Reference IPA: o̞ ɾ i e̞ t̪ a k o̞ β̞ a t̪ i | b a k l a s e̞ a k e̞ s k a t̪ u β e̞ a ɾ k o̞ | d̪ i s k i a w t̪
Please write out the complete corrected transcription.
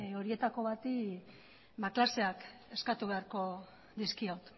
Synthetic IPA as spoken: o̞ ɾ i e̞ t̪ a k o̞ β̞ a t̪ i | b a k l a s e̞ a k e̞ s k a t̪ u β e̞ a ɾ k o̞ | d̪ i s k i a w t̪

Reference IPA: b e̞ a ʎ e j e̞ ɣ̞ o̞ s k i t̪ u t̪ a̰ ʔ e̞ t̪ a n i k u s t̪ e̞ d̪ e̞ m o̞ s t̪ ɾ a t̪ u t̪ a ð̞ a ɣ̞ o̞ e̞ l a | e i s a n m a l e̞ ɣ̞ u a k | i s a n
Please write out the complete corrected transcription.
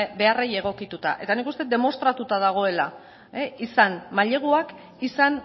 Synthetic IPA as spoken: b e̞ a r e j e̞ ɣ̞ o̞ k i t̪ u t̪ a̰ ʔ e̞ t̪ a n i k u s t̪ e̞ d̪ e̞ m o̞ s t̪ ɾ a t̪ u t̪ a ð̞ a ɣ̞ o̞ e̞ l a | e i s a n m a ʎ e̞ ɣ̞ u a k | i s a n

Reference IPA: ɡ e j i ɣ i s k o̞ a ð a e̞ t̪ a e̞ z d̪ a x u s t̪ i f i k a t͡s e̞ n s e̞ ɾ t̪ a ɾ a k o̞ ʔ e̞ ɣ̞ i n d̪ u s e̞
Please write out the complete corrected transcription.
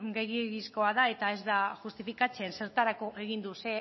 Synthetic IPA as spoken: ɡ e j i ɣ i s k o̞ a ð a e̞ t̪ a e̞ z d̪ a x u s t̪ i f i k a t͡s e̞ n s e̞ ɾ t̪ a ɾ a k o̞ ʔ e̞ ɣ̞ i n d̪ u s e̞

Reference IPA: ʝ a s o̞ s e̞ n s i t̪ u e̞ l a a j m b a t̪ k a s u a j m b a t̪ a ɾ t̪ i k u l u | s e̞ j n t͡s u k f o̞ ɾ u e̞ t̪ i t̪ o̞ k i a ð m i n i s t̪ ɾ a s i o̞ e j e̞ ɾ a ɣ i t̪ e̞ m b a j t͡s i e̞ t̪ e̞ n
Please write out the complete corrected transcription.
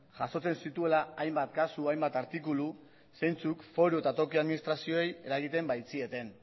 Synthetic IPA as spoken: ʝ a s o̞ t͡s e̞ n s i t̪ u e̞ l a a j m b a t̪ k a s u a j m b a t̪ a ɾ t̪ i k u l u | s e̞ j n t͡s u k f o̞ ɾ u e̞ t̪ a t̪ o̞ k i a ð m i n i s t̪ ɾ a s i o̞ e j e̞ ɾ a ɣ i t̪ e̞ m b a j t͡s i e̞ t̪ e̞ n

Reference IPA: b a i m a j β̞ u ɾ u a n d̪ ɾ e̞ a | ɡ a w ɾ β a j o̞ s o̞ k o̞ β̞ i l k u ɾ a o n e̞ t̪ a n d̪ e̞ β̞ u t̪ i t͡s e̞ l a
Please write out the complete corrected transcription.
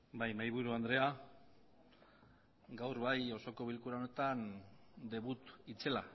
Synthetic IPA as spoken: b a j m a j β̞ u ɾ u a n d̪ ɾ e̞ a | ɡ a w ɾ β a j o̞ s o̞ k o̞ β̞ i l k u ɾ a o n e̞ t̪ a n d̪ e̞ β̞ u t̪ i t͡s e̞ l a

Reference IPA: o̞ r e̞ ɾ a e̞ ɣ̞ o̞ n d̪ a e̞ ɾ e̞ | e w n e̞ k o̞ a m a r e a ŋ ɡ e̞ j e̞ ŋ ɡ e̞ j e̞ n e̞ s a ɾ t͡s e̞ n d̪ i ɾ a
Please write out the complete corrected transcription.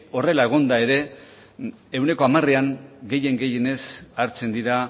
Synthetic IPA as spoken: o̞ r e̞ l a e̞ ɣ̞ o̞ n d̪ a e̞ ɾ e̞ | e w n e̞ k o̞ a m a r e a ŋ ɡ e̞ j e̞ ŋ ɡ e̞ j e̞ n e̞ s a ɾ t͡s e̞ n d̪ i ɾ a

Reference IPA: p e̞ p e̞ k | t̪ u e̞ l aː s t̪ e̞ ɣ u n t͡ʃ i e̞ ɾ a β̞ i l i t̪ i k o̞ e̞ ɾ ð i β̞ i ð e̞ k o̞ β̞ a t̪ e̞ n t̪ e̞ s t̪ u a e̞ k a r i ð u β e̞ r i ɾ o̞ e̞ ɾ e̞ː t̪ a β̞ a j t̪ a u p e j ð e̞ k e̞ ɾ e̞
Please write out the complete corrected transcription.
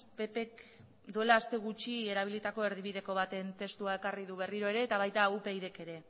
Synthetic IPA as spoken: p e̞ p e̞ k | d̪ u e̞ l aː s t̪ e̞ ɣ u t͡ʃ i e̞ ɾ a β̞ i l i t̪ a k o̞ e̞ ɾ ð i β̞ i ð e̞ k o̞ β̞ a t̪ e̞ n t̪ e̞ s t̪ u a e̞ k a r i ð u β e̞ r i ɾ o̞ e̞ ɾ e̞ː t̪ a β̞ a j t̪ a u p e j ð e̞ k e̞ ɾ e̞

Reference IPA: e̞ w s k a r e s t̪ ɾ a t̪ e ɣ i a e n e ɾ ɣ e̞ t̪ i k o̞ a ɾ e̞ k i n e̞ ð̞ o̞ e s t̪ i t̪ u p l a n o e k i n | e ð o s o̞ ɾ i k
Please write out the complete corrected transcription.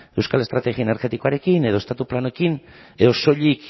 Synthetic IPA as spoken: e̞ w s k a l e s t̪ ɾ a t̪ e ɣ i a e n e ɾ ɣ e̞ t̪ i k o̞ a ɾ e̞ k i n e̞ ð̞ o̞ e s t̪ a t̪ u p l a n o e k i n | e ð o s o̞ ʎ i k

